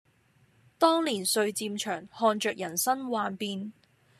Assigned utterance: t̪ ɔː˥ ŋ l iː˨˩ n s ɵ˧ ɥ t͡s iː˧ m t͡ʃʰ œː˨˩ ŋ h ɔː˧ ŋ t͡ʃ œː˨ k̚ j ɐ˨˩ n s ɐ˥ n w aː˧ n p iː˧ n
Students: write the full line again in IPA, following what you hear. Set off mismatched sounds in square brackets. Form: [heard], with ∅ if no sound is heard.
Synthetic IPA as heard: t̪ ɔː˥ ŋ l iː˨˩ n s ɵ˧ ɥ t͡s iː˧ m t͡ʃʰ œː˨˩ ŋ h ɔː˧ [n] t͡ʃ œː˨ k̚ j ɐ˨˩ n s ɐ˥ n w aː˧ n p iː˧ n